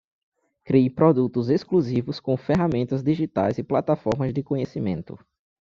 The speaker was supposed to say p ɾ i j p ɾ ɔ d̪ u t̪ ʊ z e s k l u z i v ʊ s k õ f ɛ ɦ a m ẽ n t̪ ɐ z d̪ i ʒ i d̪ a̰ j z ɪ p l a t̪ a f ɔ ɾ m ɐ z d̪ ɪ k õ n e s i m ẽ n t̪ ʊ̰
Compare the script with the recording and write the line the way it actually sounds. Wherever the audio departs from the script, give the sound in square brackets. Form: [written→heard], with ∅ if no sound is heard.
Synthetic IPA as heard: [p→k] ɾ i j p ɾ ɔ d̪ u t̪ ʊ z e s k l u z i v ʊ s k õ f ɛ ɦ a m ẽ n t̪ ɐ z d̪ i ʒ i [d̪→t̪] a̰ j z ɪ p l a t̪ a f ɔ ɾ m ɐ z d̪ ɪ k õ [n→ɲ] e s i m ẽ n t̪ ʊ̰